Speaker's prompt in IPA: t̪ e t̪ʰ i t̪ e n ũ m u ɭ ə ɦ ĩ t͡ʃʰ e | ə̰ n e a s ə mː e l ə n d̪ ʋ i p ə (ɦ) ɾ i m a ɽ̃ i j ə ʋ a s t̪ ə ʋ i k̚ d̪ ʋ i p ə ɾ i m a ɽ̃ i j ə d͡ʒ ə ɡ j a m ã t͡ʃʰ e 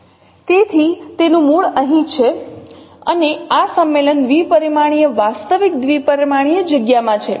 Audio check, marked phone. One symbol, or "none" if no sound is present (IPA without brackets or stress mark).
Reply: none